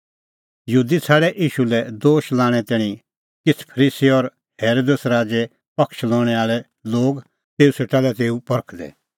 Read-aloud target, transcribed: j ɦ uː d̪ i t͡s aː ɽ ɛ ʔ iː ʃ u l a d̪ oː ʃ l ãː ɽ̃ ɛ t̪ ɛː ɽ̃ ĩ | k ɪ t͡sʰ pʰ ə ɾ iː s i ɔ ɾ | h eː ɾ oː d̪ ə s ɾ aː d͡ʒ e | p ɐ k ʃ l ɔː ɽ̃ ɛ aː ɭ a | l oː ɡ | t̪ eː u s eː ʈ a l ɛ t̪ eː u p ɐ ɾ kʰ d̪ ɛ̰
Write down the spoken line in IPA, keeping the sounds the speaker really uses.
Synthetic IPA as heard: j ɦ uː d̪ i t͡sʰ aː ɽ ɛ ʔ iː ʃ u l ɛ d̪ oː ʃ l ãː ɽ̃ ɛ t̪ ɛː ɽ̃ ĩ | k ɪ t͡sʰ pʰ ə ɾ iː s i ɔ ɾ | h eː ɾ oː d̪ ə s ɾ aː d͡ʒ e | p ɐ k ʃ l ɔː ɽ̃ ɛ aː ɭ ɛ | l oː ɡ | t̪ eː u s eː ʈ a l ɛ t̪ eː u p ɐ ɾ kʰ d̪ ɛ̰